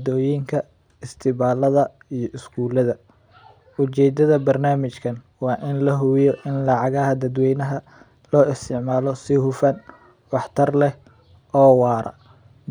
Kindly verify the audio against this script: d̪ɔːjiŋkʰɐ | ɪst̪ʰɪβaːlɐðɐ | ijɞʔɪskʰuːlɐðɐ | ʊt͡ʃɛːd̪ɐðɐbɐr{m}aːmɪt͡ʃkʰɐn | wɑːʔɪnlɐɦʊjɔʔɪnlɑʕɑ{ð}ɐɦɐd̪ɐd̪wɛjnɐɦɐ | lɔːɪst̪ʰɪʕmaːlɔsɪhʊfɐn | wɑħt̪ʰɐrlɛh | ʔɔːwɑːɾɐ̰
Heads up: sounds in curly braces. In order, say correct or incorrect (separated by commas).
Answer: incorrect, incorrect